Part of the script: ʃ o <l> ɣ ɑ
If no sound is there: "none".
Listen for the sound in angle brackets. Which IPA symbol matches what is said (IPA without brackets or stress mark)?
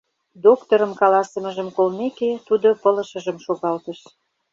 none